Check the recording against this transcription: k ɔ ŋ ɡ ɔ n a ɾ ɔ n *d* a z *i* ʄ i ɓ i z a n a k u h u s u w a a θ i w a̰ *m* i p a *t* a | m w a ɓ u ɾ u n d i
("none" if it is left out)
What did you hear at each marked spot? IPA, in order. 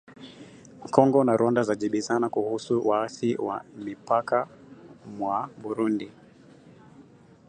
d, a, m, k

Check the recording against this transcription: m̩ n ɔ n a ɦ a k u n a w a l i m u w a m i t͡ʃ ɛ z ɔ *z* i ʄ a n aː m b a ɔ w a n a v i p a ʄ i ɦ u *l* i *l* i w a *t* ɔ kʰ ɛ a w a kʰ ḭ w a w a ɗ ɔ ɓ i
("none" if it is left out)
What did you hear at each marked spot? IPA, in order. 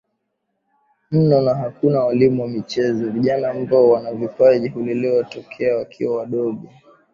v, l, l, t

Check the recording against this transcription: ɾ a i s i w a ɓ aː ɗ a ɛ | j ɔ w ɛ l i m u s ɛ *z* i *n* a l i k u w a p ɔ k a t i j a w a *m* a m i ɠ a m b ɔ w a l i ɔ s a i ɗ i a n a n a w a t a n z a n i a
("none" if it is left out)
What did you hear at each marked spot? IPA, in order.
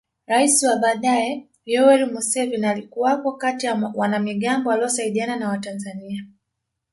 v, n, n

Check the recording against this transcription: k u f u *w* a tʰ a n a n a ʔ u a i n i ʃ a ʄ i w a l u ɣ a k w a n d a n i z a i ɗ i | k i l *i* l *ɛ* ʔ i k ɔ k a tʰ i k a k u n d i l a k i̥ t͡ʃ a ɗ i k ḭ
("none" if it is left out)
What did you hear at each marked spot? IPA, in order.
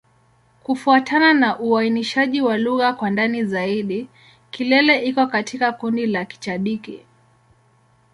none, ɛ, ɛ

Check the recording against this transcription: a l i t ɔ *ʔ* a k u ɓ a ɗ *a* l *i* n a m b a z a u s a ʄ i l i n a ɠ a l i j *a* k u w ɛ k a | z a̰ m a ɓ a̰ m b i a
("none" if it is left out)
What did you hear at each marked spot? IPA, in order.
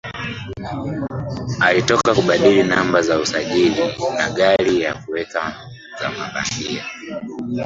k, i, i, a

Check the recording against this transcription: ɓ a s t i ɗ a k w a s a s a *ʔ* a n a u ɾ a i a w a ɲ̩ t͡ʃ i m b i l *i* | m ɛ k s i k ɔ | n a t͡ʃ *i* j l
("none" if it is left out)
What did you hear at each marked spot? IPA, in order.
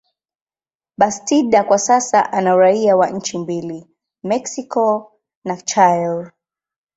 ʔ, i, a

